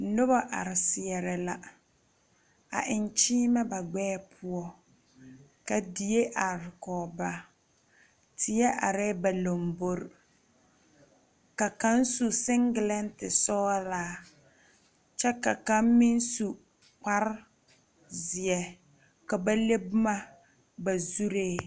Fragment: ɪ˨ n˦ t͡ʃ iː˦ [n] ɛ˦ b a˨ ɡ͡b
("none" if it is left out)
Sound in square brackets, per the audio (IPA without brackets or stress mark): m